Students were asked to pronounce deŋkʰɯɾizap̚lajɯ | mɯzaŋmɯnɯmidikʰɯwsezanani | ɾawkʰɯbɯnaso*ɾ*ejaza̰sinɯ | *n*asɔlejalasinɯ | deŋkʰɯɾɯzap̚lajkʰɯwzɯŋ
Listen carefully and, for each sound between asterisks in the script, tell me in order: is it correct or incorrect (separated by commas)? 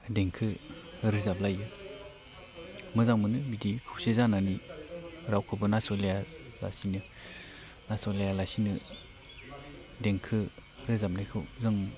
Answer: incorrect, correct